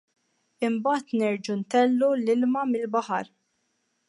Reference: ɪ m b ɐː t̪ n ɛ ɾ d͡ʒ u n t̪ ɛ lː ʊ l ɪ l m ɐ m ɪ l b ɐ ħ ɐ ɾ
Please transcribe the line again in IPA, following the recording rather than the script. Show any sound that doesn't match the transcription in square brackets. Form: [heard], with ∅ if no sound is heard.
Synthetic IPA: ɪ m b ɐː t̪ n ɛ ɾ d͡ʒ u n t̪ ɛ lː [u] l ɪ l m ɐ m ɪ l b ɐ ħ ɐ ɾ